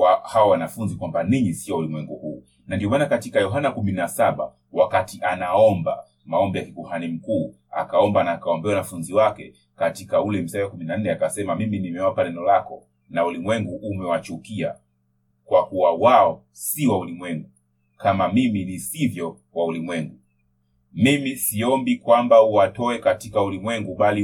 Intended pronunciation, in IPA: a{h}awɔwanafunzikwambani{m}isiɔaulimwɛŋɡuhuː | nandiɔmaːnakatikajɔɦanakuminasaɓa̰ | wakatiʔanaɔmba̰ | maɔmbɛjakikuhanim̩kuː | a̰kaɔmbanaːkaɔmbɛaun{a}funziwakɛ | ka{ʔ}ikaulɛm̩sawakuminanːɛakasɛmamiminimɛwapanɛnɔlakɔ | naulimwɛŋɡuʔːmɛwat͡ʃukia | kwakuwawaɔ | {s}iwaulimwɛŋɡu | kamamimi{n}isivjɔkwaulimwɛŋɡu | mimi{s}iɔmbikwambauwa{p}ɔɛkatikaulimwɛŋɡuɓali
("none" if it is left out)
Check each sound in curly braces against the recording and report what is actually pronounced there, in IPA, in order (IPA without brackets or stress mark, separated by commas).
h, ɲ, a, t, s, n, s, t